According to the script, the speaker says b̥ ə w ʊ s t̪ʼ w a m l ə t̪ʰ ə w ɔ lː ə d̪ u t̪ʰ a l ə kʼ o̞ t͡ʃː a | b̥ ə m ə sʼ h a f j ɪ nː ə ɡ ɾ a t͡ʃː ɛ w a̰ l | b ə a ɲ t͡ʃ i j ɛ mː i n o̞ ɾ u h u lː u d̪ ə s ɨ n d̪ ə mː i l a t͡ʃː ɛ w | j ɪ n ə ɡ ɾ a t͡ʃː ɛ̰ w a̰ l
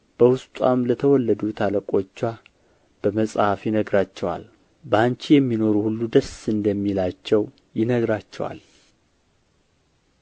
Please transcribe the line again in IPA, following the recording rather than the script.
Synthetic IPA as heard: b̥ ə w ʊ s t̪ʼ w a m l ə t̪ʰ ə w ɔ lː ə d̪ u t̪ʰ a l ə kʼ o̞ t͡ʃː a | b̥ ə m ə sʼ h a f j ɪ n ə ɡ ɾ a t͡ʃː ɛ w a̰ l | b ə a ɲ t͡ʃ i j ɛ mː i n o̞ ɾ u h u lː u d̪ ə s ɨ n d̪ ə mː i l a t͡ʃː ɛ w | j ɪ n ə ɡ ɾ a t͡ʃː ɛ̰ w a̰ l